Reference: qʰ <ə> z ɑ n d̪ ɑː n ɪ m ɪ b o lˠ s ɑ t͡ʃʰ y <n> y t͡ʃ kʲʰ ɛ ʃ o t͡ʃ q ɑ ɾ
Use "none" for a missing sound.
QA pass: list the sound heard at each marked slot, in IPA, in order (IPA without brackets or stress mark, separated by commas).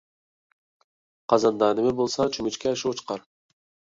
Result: ɑ, m